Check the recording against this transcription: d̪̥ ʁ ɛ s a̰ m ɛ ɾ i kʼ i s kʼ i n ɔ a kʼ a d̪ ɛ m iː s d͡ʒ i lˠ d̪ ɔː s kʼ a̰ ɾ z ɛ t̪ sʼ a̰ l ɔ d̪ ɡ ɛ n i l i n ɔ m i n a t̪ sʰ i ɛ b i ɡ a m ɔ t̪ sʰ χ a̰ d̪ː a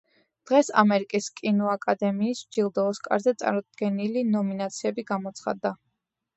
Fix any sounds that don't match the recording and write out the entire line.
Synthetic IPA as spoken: d̪̥ ʁ ɛ s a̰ m ɛ ɾ i kʼ i s kʼ i n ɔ a kʼ a d̪ ɛ m iː s d͡ʒ i lˠ d̪ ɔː s kʼ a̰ ɾ z ɛ t̪ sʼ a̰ ɾ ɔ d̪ ɡ ɛ n i l i n ɔ m i n a t̪ sʰ i ɛ b i ɡ a m ɔ t̪ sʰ χ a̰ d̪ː a